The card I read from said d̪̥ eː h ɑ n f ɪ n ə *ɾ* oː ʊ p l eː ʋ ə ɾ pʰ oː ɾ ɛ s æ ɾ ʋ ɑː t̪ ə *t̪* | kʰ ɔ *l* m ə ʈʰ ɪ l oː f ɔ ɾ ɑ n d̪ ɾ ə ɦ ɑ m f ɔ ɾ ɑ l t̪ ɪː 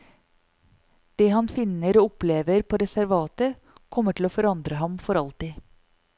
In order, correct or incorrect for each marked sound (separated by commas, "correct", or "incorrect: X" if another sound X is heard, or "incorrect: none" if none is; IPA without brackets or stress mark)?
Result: correct, incorrect: none, incorrect: none